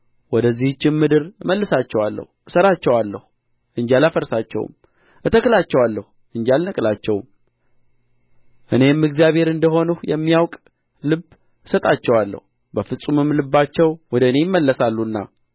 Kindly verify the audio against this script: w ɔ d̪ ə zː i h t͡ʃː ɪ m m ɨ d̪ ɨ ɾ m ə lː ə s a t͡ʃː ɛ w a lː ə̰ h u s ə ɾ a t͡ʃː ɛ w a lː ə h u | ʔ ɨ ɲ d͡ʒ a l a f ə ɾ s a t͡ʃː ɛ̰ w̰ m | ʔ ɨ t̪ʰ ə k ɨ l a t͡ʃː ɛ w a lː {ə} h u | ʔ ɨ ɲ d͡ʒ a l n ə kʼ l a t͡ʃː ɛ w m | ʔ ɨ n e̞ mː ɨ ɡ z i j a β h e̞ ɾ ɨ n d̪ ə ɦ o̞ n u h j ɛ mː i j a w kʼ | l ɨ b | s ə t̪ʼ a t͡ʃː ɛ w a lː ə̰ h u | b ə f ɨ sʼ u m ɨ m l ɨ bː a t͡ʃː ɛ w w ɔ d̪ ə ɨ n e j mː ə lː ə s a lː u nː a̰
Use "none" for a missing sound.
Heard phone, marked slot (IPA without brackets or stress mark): ə